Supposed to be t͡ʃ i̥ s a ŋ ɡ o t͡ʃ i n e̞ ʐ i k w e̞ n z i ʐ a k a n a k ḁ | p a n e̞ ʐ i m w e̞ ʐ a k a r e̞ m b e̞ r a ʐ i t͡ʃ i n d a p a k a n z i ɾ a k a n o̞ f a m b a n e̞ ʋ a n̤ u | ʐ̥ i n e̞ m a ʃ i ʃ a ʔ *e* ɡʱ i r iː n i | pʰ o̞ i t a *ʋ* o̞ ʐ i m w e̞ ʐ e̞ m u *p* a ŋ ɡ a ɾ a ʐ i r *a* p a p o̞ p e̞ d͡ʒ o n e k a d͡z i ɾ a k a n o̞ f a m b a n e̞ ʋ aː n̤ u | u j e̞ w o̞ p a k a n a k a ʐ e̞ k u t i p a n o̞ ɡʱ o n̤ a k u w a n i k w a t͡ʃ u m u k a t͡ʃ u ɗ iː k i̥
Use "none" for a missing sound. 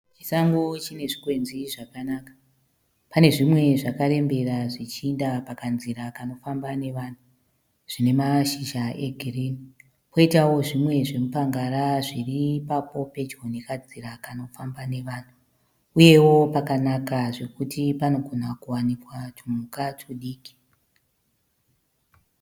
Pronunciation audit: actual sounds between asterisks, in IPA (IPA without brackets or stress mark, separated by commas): e, w, p, i